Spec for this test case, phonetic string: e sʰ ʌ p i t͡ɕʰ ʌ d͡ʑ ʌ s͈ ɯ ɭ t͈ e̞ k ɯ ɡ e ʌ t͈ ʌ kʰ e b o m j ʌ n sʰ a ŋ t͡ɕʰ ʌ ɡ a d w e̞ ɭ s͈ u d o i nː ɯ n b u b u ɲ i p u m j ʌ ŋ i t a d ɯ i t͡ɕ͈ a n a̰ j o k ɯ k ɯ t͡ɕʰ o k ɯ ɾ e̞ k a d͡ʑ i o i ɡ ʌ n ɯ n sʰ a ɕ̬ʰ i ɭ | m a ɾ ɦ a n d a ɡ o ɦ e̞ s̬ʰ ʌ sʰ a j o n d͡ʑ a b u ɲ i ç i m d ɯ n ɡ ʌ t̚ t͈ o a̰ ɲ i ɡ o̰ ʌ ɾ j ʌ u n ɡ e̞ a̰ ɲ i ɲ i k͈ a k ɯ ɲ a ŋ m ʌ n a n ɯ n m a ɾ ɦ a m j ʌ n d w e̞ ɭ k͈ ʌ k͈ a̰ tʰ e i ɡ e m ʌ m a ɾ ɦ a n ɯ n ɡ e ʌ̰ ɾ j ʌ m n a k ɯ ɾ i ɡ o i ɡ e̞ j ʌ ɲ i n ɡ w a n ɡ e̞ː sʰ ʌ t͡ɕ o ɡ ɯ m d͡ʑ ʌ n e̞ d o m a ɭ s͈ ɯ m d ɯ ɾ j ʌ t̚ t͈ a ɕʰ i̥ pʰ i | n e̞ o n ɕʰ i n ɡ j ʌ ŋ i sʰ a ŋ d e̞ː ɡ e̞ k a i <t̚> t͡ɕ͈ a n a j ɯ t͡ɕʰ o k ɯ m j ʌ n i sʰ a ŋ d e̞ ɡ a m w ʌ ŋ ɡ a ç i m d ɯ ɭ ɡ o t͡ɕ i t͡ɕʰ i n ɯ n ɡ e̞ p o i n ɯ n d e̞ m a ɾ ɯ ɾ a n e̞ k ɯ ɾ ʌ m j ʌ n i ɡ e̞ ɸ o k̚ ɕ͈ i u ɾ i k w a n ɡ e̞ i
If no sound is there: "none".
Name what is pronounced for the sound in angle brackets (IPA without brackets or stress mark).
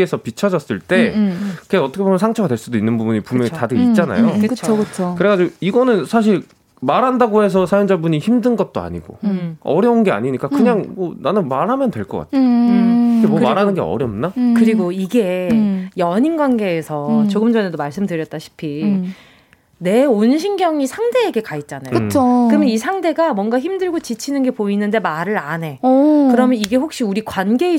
t̚